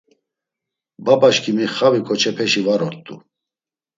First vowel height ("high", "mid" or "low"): low